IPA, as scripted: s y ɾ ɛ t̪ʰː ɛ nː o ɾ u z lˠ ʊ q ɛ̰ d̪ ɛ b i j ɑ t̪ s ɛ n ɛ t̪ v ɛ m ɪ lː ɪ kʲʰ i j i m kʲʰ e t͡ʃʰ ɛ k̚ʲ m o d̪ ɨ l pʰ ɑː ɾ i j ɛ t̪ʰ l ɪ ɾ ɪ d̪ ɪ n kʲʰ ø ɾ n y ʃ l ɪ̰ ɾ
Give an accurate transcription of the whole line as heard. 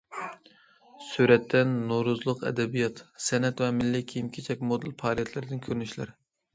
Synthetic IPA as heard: s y ɾ ɛ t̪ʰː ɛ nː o ɾ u z lˠ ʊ q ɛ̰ d̪ ɛ b i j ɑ t̪ s ɛ n ɛ t̪ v ɛ m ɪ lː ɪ kʲʰ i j i m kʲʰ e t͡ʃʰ ɛ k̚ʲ m o d̪ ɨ l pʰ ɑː ɾ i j ɛ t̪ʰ l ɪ ɾ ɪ d̪ ɪ n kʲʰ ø ɾ n y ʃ l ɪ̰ ɾ